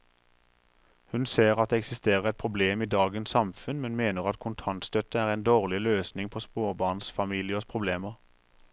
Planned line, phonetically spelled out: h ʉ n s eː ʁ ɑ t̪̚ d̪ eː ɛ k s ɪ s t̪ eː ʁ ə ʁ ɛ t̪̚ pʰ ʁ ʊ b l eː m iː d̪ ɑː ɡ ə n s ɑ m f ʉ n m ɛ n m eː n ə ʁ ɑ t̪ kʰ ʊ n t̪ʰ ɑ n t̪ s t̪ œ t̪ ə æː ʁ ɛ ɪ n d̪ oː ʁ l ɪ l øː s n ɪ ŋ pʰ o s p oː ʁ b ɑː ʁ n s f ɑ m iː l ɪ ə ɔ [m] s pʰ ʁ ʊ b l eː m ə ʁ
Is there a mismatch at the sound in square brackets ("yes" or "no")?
yes